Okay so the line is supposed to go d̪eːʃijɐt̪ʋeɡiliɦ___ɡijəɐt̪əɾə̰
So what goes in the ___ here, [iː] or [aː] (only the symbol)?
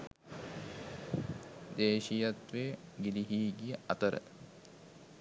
iː